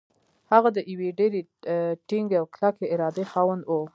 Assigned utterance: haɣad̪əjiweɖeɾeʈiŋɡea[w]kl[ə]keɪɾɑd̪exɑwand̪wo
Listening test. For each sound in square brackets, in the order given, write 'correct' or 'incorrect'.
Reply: correct, incorrect: a

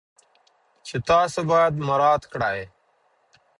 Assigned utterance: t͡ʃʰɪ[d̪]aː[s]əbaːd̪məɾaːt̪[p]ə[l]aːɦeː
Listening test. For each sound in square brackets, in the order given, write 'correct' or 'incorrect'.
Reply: incorrect: t̪, correct, incorrect: k, incorrect: ɽ

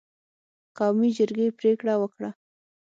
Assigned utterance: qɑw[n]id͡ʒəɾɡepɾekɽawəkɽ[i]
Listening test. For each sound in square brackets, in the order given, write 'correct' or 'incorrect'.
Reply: incorrect: m, incorrect: a

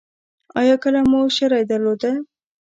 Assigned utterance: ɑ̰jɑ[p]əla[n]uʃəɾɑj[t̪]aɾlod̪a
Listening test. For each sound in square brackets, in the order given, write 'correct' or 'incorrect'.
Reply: incorrect: k, incorrect: m, incorrect: d̪

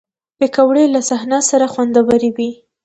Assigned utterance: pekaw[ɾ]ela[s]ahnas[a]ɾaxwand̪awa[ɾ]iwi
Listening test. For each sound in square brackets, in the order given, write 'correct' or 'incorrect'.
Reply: incorrect: ɽ, correct, correct, correct

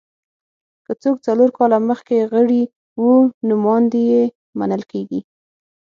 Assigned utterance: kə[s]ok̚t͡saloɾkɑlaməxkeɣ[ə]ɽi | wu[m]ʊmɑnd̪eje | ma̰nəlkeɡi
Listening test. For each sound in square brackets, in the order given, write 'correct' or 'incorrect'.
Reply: incorrect: t͡s, correct, incorrect: n

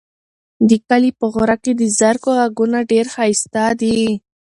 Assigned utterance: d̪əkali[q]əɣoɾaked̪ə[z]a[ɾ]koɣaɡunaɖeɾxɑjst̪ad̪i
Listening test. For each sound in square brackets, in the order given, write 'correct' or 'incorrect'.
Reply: incorrect: p, correct, correct

